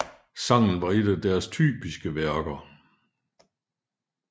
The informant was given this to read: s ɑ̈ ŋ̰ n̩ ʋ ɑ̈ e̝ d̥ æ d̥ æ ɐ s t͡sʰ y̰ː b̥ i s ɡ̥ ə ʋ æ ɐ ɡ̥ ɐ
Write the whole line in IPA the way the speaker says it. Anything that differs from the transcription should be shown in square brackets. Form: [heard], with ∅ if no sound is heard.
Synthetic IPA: s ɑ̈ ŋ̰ n̩ ʋ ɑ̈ e̝ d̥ æ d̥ æ ɐ s t͡sʰ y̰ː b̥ i s ɡ̥ ə ʋ æ ɐ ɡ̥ ɐ